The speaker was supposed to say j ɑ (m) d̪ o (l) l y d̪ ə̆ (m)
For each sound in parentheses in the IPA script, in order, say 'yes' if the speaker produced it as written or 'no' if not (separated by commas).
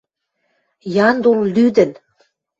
no, yes, no